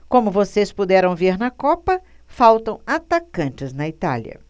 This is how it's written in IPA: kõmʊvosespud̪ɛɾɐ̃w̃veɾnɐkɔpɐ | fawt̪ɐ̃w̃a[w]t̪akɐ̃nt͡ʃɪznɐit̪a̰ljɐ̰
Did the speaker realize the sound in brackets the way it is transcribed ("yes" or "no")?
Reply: no